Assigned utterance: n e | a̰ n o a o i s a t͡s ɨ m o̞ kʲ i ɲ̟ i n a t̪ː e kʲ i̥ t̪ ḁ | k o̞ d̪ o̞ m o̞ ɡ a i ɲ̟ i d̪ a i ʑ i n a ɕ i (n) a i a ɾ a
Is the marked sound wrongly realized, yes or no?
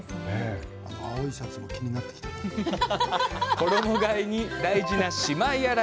yes